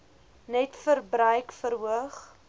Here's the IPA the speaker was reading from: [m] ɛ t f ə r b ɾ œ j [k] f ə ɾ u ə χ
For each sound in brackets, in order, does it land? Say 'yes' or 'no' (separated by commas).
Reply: no, yes